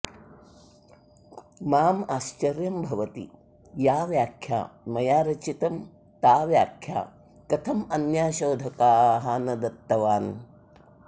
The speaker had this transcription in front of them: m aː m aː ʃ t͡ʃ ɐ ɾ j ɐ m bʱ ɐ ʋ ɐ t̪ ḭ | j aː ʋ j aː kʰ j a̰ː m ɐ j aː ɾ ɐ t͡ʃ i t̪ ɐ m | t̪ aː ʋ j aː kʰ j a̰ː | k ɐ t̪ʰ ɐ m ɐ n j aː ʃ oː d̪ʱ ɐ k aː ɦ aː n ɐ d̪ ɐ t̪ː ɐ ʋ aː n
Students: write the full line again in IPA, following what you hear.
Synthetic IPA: m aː m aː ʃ t͡ʃ ɐ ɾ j ɐ m bʱ ɐ ʋ ɐ t̪ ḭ | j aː ʋ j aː kʰ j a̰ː m ɐ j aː ɾ ɐ t͡ʃ i t̪ ɐ m | t̪ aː ʋ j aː kʰ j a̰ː | k ɐ t̪ʰ ɐ m ɐ n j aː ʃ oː d̪ʱ ɐ k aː ɦ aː n ɐ d̪ ɐ t̪ː ɐ ʋ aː n

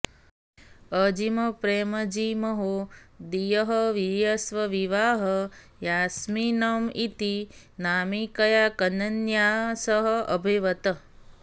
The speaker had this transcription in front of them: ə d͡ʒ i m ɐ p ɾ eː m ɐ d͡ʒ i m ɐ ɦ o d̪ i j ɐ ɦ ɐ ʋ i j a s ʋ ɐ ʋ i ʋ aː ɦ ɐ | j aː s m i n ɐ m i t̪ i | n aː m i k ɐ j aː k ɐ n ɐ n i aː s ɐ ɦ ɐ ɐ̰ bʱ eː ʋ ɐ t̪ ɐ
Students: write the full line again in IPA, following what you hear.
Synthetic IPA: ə d͡ʒ i m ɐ p ɾ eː m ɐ d͡ʒ i m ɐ ɦ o d̪ i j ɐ ɦ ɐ ʋ i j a s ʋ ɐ ʋ i ʋ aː ɦ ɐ | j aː s m i n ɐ m i t̪ i | n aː m i k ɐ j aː k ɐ n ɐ n j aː s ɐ ɦ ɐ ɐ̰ bʱ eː ʋ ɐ t̪ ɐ

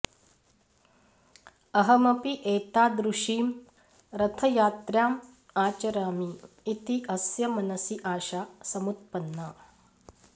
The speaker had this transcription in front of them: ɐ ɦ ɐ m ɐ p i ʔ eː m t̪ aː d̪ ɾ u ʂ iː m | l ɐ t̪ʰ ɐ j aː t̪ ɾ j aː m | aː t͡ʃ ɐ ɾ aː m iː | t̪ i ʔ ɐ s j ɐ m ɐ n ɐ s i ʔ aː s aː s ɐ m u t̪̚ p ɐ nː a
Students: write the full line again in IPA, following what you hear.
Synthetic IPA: ɐ ɦ ɐ m ɐ p i ʔ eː t̪ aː d̪ ɾ u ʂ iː m | ɾ ɐ t̪ʰ ɐ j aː t̪ ɾ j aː m | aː t͡ʃ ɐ ɾ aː m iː | t̪ i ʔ ɐ s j ɐ m ɐ n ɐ s i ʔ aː ʃ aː s ɐ m u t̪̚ p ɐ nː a

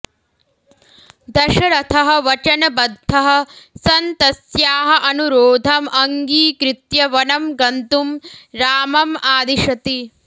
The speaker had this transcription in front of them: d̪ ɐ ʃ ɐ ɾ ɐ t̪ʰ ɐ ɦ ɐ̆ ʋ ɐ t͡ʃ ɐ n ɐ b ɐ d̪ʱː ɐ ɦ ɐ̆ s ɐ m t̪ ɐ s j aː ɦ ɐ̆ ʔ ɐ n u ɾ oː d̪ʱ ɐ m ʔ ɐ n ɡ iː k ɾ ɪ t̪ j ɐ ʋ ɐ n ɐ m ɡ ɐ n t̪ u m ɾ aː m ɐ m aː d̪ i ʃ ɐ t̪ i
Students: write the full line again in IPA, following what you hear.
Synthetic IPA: d̪ ɐ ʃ ɐ ɾ ɐ t̪ʰ ɐ ɦ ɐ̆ ʋ ɐ t͡ʃ ɐ n ɐ b ɐ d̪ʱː ɐ ɦ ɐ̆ s ɐ n t̪ ɐ s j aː ɦ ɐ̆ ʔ ɐ n u ɾ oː d̪ʱ ɐ m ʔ ɐ ŋ ɡ iː k ɾ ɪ t̪ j ɐ ʋ ɐ n ɐ m ɡ ɐ n t̪ u m ɾ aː m ɐ m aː d̪ i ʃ ɐ t̪ i

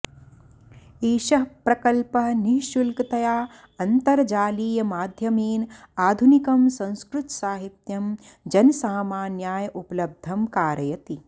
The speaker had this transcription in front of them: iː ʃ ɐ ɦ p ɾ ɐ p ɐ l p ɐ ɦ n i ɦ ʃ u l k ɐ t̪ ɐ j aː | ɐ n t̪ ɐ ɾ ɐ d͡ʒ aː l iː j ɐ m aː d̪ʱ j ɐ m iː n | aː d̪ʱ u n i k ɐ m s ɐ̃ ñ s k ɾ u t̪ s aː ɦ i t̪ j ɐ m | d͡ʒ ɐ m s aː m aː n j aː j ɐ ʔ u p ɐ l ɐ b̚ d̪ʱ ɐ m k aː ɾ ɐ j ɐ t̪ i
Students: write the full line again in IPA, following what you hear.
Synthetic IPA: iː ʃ ɐ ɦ p ɾ ɐ k ɐ l p ɐ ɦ n i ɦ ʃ u l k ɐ t̪ ɐ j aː | ɐ n t̪ ɐ ɾ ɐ d͡ʒ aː l iː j ɐ m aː d̪ʱ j ɐ m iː n | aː d̪ʱ u n i k ɐ m s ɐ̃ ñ s k ɾ u t̪ s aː ɦ i t̪ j ɐ m | d͡ʒ ɐ n s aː m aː n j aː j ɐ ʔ u p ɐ l ɐ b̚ d̪ʱ ɐ m k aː ɾ ɐ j ɐ t̪ i

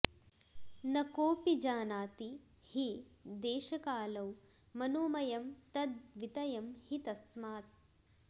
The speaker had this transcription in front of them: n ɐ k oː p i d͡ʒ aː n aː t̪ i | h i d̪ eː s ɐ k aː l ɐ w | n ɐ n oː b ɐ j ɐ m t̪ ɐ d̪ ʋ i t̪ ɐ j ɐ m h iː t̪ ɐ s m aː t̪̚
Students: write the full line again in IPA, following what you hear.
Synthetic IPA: n ɐ k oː p i d͡ʒ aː n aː t̪ i | h i d̪ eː ʃ ɐ k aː l ɐ w | m ɐ n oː m ɐ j ɐ m t̪ ɐ d̪ ʋ i t̪ ɐ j ɐ m h i t̪ ɐ s m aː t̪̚

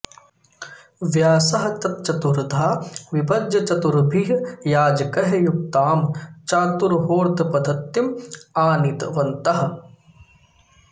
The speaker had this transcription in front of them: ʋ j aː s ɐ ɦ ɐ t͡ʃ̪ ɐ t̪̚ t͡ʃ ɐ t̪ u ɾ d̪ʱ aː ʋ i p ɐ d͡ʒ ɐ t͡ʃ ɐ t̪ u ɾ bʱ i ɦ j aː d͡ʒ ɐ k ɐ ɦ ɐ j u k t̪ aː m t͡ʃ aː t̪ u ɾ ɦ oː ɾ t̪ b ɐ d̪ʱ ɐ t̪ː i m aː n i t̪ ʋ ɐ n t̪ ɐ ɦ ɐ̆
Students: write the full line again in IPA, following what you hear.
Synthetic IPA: ʋ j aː s ɐ ɦ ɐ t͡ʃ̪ ɐ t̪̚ t͡ʃ ɐ t̪ u ɾ d̪ʱ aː ʋ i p ɐ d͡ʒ ɐ t͡ʃ ɐ t̪ u ɾ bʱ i ɦ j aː d͡ʒ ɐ k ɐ ɦ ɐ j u k t̪ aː m t͡ʃ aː t̪ u ɾ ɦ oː ɾ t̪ p ɐ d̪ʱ ɐ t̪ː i m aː n i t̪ ʋ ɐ n t̪ ɐ ɦ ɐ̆

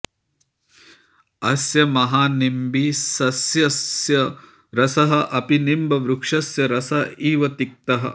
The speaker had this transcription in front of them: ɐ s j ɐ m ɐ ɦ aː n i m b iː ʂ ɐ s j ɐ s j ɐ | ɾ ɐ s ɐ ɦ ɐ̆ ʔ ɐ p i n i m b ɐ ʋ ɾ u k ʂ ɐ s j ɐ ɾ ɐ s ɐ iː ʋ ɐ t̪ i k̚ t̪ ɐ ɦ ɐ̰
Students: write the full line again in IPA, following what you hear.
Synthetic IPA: ɐ s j ɐ m ɐ ɦ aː n i m b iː s ɐ s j ɐ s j ɐ | ɾ ɐ s ɐ ɦ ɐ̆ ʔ ɐ p i n i m b ɐ ʋ ɾ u k ʂ ɐ s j ɐ ɾ ɐ s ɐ iː ʋ ɐ t̪ i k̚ t̪ ɐ ɦ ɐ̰

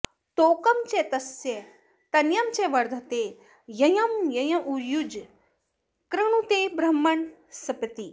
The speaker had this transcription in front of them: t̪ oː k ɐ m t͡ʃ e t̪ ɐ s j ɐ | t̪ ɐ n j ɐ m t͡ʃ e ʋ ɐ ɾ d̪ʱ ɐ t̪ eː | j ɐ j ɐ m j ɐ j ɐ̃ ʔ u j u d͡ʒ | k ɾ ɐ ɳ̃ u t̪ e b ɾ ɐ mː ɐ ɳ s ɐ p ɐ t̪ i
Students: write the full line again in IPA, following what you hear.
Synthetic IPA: t̪ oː k ɐ m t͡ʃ e t̪ ɐ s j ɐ | t̪ ɐ n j ɐ m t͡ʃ e ʋ ɐ ɾ d̪ʱ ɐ t̪ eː | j ɐ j ɐ m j ɐ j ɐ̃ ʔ u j u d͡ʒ | k ɾ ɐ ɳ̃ u t̪ e b ɾ ɐ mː ɐ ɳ s ɐ p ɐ t̪ i

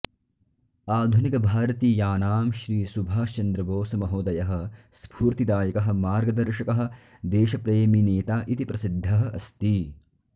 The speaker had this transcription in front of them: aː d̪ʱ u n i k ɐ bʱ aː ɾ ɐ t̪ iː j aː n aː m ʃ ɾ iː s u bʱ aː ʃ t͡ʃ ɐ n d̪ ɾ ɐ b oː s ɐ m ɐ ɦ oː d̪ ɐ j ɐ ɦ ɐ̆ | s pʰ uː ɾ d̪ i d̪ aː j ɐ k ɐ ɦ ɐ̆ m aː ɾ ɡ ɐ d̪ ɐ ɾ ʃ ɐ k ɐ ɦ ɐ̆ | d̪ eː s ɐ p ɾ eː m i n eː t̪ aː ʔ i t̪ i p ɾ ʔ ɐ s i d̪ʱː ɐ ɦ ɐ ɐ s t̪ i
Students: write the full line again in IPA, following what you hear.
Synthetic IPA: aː d̪ʱ u n i k ɐ bʱ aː ɾ ɐ t̪ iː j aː n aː m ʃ ɾ iː s u bʱ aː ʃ t͡ʃ ɐ n d̪ ɾ ɐ b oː s ɐ m ɐ ɦ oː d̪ ɐ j ɐ ɦ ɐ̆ | s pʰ uː ɾ t̪ i d̪ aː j ɐ k ɐ ɦ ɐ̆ m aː ɾ ɡ ɐ d̪ ɐ ɾ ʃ ɐ k ɐ ɦ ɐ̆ | d̪ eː ʃ ɐ p ɾ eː m i n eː t̪ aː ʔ i t̪ i p ɾ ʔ ɐ s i d̪ʱː ɐ ɦ ɐ ɐ s t̪ i

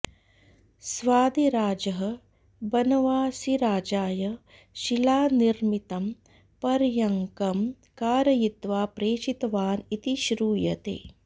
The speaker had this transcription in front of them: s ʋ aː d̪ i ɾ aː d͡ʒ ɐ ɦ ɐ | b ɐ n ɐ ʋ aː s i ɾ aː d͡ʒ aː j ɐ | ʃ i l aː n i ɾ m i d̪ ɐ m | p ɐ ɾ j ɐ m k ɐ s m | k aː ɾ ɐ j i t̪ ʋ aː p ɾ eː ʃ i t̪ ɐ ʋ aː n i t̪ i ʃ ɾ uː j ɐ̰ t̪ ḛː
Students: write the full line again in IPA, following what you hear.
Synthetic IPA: s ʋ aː d̪ i ɾ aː d͡ʒ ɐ ɦ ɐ | b ɐ n ɐ ʋ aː s i ɾ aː d͡ʒ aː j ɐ | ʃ i l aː n i ɾ m i t̪ ɐ m | p ɐ ɾ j ɐ ŋ k ɐ m | k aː ɾ ɐ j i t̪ ʋ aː p ɾ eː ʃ i t̪ ɐ ʋ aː n i t̪ i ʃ ɾ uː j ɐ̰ t̪ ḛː

